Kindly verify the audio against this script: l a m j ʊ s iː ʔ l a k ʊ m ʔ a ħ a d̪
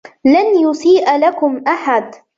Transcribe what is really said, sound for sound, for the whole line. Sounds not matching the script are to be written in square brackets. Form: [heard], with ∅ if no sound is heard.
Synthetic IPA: l a [n] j ʊ s iː ʔ l a k ʊ m ʔ a ħ a d̪